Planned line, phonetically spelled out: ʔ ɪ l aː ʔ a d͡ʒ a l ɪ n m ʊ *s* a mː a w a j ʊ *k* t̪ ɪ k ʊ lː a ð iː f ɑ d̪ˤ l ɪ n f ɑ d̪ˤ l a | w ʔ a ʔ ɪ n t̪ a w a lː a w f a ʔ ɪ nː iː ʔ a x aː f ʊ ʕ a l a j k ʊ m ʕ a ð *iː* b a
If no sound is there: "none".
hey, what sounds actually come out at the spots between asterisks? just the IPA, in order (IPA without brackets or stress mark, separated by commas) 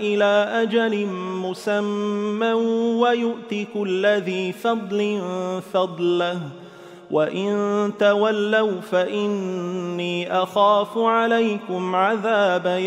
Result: s, ʔ, aː